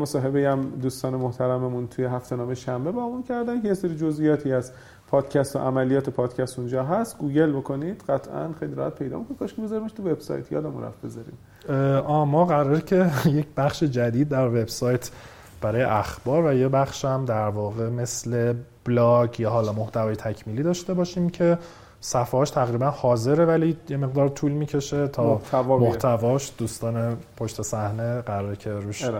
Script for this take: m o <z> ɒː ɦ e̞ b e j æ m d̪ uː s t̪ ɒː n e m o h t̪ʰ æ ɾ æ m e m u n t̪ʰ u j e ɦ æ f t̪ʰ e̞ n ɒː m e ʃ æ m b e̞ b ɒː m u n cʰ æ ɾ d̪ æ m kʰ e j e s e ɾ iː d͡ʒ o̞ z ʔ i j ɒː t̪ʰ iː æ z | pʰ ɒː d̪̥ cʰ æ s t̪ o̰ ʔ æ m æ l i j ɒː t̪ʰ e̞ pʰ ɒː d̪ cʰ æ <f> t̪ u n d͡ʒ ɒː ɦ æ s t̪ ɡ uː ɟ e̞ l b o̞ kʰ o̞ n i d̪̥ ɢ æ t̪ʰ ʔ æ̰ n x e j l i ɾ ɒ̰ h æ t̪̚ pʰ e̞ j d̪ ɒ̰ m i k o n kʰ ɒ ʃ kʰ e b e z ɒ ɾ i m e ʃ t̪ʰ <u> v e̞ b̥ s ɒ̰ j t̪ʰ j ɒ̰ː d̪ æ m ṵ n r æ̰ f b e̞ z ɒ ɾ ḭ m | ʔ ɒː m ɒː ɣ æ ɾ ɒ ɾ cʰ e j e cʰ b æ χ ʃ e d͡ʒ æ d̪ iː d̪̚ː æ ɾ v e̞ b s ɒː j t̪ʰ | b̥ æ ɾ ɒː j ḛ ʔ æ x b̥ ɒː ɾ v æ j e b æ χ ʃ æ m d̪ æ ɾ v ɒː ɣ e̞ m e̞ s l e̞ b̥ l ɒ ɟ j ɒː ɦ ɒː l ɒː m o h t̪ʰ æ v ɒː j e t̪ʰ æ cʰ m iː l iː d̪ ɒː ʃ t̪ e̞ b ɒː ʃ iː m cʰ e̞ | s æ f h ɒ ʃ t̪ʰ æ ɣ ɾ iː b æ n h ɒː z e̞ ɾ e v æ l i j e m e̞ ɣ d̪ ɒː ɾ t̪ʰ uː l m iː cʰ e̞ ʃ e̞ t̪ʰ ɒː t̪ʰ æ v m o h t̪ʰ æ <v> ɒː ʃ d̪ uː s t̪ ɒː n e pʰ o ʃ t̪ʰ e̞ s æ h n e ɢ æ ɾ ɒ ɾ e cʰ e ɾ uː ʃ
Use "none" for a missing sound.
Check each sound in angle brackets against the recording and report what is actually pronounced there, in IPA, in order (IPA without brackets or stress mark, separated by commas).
s, s, u, v